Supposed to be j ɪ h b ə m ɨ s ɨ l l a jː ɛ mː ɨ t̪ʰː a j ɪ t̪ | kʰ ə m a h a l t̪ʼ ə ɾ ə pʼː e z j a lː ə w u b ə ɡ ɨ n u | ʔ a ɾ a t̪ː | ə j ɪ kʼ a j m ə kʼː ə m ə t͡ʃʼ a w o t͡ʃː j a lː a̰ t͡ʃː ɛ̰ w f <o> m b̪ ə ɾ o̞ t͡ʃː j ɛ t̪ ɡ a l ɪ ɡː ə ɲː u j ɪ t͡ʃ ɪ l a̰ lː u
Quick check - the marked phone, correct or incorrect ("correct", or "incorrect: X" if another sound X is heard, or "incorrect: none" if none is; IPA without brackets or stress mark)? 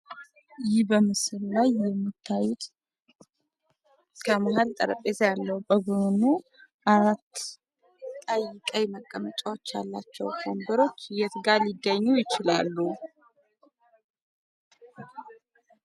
correct